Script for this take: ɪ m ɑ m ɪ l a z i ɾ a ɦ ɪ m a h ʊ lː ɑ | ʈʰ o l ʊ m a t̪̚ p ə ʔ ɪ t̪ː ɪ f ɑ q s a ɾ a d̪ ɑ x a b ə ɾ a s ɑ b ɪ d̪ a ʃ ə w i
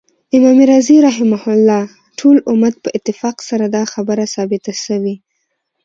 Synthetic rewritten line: ɪ m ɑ m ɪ ɾ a z i ɾ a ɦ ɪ m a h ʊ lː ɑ | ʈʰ o l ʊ m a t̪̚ p ə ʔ ɪ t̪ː ɪ f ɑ q s a ɾ a d̪ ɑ x a b ə ɾ a s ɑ b ɪ t̪ a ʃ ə w i